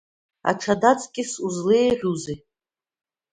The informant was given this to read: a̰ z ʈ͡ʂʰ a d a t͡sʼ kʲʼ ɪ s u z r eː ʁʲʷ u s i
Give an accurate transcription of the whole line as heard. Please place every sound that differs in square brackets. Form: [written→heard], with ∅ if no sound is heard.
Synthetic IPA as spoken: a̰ [z→∅] ʈ͡ʂʰ a d a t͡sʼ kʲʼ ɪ s u z [r→l] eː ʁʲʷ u [s→z] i